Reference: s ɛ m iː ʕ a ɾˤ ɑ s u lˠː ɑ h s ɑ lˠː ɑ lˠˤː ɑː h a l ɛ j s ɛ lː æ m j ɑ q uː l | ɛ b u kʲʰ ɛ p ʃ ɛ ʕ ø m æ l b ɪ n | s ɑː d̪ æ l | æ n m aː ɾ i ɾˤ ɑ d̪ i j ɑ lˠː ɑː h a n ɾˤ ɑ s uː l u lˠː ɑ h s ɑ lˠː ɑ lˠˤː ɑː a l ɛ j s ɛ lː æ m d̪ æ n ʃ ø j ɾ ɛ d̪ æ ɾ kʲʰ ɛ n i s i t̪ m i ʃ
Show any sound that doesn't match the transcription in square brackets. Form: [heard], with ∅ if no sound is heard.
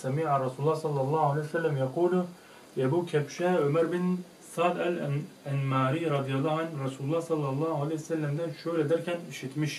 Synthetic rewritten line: s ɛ m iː ʕ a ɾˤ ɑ s u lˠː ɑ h s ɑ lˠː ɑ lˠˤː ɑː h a l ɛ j s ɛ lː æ m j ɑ q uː l | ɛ b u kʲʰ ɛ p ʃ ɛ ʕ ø m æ [ɾ] b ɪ n | s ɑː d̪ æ l | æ n m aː ɾ i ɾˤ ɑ d̪ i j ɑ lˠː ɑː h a n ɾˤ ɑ s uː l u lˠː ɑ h s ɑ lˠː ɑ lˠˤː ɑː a l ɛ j s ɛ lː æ m d̪ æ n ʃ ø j [l] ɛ d̪ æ ɾ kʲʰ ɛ n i [ʃ] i t̪ m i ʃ